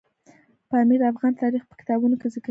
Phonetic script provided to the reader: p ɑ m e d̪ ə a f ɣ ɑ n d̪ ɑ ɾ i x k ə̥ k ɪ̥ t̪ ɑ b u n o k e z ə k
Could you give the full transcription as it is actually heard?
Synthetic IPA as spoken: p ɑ m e d̪ ə a f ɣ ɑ n t̪ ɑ ɾ i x p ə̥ k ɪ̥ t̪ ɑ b u n o k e z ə k